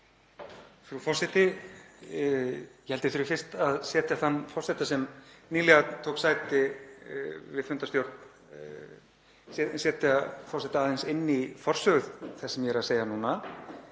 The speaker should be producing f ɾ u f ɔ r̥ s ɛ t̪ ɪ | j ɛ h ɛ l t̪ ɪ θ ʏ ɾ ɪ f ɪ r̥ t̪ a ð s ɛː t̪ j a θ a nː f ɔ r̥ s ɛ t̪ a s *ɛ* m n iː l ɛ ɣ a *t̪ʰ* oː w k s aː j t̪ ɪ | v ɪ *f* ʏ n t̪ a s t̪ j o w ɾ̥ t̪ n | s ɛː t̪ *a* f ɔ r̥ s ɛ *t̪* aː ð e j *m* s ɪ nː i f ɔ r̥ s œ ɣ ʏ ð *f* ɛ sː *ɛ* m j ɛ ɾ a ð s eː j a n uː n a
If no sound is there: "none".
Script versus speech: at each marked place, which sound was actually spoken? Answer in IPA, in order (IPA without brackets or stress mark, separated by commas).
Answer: ɛ, t̪ʰ, f, a, t̪, n, θ, ɛ